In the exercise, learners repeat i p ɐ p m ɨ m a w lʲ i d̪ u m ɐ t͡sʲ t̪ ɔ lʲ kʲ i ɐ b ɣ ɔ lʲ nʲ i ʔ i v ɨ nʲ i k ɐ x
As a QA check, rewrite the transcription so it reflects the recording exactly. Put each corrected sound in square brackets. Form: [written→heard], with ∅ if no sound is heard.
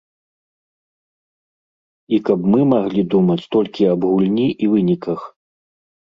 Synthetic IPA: i [p→k] ɐ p m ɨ m a [w→ɣ] lʲ i d̪ u m ɐ t͡sʲ t̪ ɔ lʲ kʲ i ɐ b ɣ [ɔ→u] lʲ nʲ i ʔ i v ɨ nʲ i k ɐ x